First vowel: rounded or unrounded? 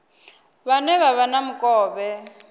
unrounded